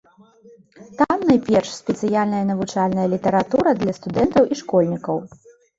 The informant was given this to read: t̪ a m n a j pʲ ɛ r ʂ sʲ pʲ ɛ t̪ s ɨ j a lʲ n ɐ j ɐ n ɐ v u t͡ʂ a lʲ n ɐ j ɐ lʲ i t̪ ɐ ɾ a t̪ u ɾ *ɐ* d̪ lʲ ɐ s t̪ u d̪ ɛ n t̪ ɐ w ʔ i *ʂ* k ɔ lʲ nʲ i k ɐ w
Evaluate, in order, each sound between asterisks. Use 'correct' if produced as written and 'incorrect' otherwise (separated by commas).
correct, correct